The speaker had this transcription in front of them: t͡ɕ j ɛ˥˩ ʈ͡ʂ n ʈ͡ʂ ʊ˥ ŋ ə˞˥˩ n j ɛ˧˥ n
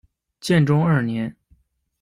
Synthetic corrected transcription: t͡ɕ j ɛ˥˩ n ʈ͡ʂ ʊ˥ ŋ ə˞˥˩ n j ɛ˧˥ n